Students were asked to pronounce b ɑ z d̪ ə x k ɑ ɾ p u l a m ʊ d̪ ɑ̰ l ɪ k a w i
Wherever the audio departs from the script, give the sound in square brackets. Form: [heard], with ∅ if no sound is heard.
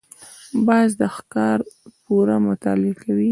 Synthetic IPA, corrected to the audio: b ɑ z d̪ ə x k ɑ ɾ p u [ɾ] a m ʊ [t̪] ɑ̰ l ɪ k a w i